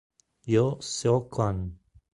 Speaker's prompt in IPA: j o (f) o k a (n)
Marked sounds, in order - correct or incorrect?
incorrect, correct

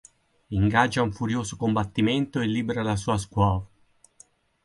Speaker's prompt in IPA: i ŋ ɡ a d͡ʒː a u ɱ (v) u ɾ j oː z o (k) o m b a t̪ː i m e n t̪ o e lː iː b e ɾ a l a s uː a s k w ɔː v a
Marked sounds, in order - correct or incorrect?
incorrect, correct

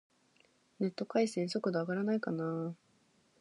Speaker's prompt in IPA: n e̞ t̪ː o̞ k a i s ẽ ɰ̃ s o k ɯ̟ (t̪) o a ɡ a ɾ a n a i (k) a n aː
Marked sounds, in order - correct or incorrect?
incorrect, correct

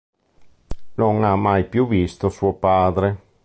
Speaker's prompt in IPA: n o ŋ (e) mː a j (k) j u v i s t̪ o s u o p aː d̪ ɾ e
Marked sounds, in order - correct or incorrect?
incorrect, incorrect

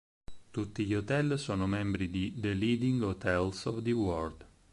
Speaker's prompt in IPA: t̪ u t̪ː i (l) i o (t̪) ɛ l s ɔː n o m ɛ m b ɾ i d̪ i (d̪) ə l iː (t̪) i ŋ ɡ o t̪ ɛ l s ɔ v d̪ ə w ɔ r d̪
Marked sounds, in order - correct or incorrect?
incorrect, correct, correct, incorrect

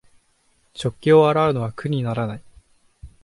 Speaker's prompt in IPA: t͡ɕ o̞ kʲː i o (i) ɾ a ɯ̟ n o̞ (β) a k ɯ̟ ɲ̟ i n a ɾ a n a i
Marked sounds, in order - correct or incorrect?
incorrect, correct

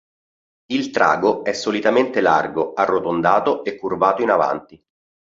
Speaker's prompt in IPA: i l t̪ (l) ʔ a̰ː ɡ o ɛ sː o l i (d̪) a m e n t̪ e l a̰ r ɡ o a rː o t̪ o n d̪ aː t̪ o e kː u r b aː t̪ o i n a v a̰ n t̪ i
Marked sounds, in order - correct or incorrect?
incorrect, incorrect

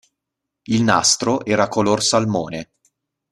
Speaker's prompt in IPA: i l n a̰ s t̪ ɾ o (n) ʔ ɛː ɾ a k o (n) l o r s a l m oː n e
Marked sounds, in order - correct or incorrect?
incorrect, incorrect

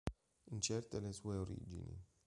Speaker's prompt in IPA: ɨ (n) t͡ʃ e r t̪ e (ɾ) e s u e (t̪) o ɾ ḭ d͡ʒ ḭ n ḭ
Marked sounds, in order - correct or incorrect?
correct, incorrect, incorrect

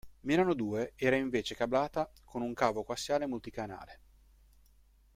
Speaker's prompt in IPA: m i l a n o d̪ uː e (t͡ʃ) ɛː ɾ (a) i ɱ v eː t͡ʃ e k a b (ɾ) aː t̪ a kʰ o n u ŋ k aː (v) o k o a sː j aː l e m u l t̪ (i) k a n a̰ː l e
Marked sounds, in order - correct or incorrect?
incorrect, correct, incorrect, correct, correct

